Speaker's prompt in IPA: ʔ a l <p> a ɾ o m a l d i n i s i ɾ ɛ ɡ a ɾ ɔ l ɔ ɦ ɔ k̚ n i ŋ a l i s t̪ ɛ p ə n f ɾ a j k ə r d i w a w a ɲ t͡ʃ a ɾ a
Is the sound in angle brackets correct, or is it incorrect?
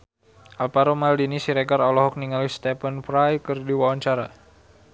correct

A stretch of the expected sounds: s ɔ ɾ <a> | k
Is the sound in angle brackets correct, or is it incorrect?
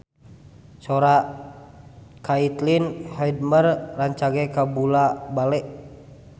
correct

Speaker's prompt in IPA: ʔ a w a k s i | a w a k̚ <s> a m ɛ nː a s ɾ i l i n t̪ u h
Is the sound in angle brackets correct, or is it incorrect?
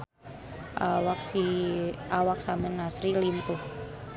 correct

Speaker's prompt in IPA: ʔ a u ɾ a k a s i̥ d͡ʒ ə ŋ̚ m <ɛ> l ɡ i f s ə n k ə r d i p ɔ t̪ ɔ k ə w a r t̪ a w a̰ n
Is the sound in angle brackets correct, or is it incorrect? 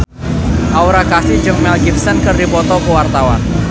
correct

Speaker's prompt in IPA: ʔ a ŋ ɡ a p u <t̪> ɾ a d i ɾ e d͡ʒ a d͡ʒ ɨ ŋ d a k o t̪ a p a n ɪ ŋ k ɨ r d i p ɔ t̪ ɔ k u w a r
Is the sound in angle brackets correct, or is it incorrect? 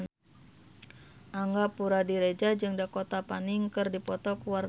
incorrect: none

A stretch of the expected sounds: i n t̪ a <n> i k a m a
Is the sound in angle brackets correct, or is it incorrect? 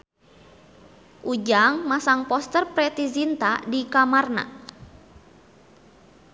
incorrect: d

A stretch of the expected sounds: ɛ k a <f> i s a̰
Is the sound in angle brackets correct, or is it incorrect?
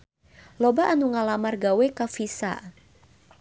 correct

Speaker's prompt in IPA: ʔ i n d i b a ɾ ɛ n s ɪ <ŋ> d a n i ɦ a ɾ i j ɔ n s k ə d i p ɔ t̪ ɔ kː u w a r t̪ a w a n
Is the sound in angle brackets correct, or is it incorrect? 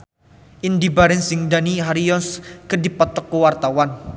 correct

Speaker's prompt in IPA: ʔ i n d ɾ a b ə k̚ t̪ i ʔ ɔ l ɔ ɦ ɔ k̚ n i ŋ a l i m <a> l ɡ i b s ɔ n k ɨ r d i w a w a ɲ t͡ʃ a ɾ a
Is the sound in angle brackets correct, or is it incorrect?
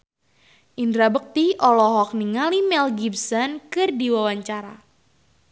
incorrect: ɛ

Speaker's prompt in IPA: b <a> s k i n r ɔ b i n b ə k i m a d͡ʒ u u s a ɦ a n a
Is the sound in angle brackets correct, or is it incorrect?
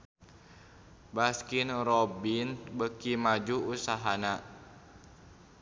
correct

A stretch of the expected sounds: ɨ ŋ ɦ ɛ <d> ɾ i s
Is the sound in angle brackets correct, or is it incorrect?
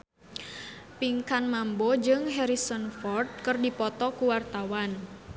incorrect: none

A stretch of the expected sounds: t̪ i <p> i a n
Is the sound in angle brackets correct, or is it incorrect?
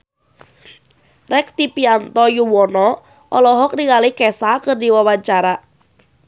correct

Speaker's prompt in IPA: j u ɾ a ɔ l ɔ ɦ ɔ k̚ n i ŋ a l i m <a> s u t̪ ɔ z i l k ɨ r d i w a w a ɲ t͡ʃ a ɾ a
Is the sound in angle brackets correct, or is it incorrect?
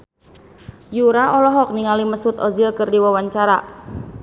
incorrect: ə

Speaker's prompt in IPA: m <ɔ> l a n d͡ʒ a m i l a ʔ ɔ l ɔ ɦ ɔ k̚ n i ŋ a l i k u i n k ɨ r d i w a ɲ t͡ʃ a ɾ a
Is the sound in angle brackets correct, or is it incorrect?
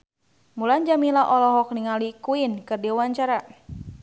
incorrect: u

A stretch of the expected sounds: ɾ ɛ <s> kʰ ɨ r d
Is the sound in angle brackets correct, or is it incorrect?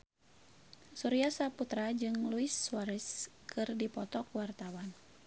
correct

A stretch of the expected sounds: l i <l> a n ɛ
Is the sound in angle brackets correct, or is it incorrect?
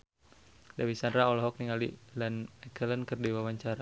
correct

